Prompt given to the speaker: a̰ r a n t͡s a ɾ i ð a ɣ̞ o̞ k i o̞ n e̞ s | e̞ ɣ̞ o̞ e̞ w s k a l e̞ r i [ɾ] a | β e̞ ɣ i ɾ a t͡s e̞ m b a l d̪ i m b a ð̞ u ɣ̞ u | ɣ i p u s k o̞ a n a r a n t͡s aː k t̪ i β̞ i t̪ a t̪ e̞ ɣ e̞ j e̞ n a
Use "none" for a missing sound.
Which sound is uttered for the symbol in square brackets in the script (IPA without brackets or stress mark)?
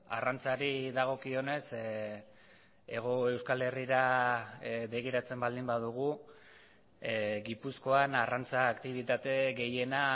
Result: ɾ